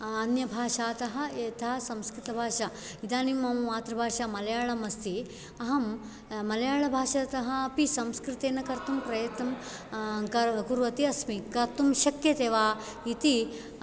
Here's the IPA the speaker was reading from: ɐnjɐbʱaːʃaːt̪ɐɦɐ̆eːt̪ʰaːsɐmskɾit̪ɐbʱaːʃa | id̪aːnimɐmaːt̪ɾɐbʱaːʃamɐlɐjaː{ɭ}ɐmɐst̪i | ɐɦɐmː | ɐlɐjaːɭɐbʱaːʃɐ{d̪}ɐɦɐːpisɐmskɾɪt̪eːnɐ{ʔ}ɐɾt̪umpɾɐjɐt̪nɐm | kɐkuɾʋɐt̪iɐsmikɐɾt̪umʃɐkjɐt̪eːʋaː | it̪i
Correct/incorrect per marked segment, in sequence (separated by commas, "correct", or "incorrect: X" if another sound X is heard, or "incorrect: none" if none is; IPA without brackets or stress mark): correct, incorrect: t̪, incorrect: k